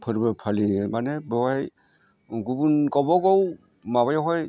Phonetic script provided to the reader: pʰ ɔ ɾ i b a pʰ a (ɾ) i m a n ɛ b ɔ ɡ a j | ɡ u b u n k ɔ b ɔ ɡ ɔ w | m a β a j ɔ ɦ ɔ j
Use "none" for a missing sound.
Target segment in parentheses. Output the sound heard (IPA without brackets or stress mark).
l